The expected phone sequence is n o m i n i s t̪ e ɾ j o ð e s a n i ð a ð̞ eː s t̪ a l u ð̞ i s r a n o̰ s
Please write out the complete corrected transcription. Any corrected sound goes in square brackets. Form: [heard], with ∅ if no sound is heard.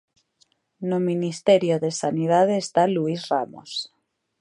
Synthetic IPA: n o m i n i s t̪ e ɾ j o ð e s a n i ð a ð̞ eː s t̪ a l u [∅] i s r a [m] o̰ s

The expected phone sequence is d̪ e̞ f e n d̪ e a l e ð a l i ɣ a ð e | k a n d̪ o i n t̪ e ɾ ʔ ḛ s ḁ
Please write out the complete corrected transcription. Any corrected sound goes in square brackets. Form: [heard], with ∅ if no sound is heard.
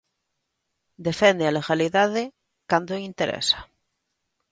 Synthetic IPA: d̪ e̞ f e n d̪ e a l e [ɣ] a l i [ð] a ð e | k a n d̪ o i n t̪ e ɾ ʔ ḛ s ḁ

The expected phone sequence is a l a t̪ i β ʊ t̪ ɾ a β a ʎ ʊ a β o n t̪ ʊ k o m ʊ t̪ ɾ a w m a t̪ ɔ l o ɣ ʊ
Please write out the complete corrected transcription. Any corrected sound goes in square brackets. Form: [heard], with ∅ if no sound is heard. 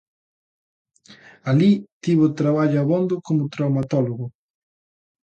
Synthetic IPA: a l [i] t̪ i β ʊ t̪ ɾ a β a ʎ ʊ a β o n [d̪] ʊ k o m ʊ t̪ ɾ a w m a t̪ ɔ l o ɣ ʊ

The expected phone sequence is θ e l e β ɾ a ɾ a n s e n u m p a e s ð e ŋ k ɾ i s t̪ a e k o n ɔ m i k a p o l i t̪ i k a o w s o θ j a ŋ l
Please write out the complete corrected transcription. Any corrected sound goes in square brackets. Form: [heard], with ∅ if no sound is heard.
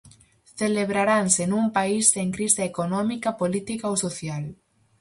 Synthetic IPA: θ e l e β ɾ a ɾ a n s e n u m p a [i] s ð e ŋ k ɾ i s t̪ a e k o n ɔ m i k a p o l i t̪ i k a o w s o θ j a [∅] l

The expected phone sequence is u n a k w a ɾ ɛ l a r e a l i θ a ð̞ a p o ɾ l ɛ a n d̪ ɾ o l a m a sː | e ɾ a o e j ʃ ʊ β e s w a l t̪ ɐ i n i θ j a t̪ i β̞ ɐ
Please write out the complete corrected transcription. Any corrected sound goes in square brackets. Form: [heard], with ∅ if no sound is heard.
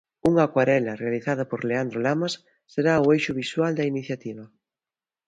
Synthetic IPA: u [ŋ] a k w a ɾ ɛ l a r e a l i θ a ð̞ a p o ɾ l [e] a n d̪ ɾ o l a m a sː | e ɾ a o e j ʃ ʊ β [i] s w a l [d̪] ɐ i n i θ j a t̪ i β̞ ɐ

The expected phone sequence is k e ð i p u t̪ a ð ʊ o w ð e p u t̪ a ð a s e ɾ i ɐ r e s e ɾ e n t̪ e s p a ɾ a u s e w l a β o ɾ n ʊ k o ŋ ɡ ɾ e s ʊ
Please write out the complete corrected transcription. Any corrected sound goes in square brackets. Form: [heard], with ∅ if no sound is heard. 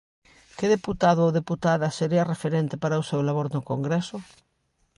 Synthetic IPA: k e ð [e] p u t̪ a ð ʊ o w ð e p u t̪ a ð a s e ɾ i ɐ r e [f] e ɾ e n t̪ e [∅] p a ɾ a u s e w l a β o ɾ n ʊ k o ŋ ɡ ɾ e s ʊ

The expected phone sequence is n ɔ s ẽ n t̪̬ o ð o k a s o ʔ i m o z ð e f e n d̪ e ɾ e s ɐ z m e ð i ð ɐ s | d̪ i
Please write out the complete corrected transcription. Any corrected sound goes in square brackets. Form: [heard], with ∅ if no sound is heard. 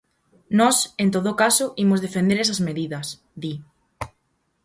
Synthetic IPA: n ɔ s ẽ n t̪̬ o ð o k a s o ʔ i m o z ð e f e n d̪ e ɾ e s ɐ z m e ð i ð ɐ s | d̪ i

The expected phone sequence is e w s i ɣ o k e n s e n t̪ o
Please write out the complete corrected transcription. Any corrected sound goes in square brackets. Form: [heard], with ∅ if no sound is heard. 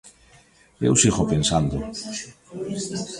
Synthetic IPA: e w s i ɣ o [p] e n s [a] n [d̪] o

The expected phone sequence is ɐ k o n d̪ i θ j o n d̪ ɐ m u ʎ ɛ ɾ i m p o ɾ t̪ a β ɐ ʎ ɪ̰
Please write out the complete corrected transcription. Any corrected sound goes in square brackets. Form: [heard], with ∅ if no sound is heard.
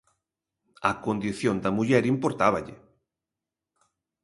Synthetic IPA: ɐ k o n d̪ i θ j o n d̪ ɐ m u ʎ ɛ ɾ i m p o ɾ t̪ a β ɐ ʎ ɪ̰

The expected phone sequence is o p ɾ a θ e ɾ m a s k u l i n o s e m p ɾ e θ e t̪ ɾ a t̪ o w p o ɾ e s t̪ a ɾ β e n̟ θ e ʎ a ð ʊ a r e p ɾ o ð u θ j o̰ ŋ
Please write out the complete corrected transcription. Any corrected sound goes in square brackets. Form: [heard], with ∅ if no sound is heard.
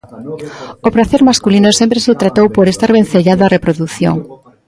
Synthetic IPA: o p ɾ a θ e ɾ m a s k u l i n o s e m p ɾ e [s] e t̪ ɾ a t̪ o w p o ɾ e s t̪ a ɾ β e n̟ θ e ʎ a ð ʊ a r e p ɾ o ð u θ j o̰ ŋ

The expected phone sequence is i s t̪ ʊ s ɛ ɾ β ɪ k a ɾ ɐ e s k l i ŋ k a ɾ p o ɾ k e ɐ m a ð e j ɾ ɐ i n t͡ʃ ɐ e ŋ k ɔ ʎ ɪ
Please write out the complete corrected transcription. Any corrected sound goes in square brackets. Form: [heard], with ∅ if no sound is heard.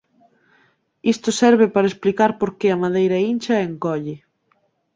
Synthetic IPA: i s t̪ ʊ s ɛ ɾ β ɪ [p] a ɾ ɐ e s [p] l i [∅] k a ɾ p o ɾ k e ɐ m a ð e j ɾ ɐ i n t͡ʃ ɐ e ŋ k ɔ ʎ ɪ

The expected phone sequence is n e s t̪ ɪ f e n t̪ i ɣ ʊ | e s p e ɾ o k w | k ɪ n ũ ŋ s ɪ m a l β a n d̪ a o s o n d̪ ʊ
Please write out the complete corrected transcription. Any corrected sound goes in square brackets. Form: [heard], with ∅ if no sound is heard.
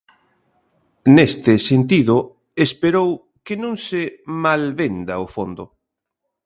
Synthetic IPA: n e s t̪ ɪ [s] e n t̪ i [ð] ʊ | e s p e ɾ o [∅] w | k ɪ n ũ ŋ s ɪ m a l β [e] n d̪ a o [f] o n d̪ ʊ

